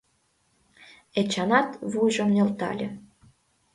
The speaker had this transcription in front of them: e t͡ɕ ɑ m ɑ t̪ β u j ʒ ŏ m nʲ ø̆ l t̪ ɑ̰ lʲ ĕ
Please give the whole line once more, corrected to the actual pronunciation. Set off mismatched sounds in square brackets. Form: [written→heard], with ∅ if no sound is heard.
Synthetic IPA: e t͡ɕ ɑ [m→n] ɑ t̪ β u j ʒ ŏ m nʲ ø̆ l t̪ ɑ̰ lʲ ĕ